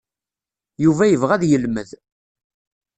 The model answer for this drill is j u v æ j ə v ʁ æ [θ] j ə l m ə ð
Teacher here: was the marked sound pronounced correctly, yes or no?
no